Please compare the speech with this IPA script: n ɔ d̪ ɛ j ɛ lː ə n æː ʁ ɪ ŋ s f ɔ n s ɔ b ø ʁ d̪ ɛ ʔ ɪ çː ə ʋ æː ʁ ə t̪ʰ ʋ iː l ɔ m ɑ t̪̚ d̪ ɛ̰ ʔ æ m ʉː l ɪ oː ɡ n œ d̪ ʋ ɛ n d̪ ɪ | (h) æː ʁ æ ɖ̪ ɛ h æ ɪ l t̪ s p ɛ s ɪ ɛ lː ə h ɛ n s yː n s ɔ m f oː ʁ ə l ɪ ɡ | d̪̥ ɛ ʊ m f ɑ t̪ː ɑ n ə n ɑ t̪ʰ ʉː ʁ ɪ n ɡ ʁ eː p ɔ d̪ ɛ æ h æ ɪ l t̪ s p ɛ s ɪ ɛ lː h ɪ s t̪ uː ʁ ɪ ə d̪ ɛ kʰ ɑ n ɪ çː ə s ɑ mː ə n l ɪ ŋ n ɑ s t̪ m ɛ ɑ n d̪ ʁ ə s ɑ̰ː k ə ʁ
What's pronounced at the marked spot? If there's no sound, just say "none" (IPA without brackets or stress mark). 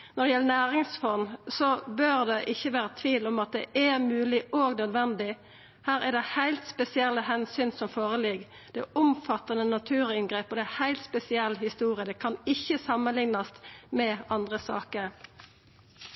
h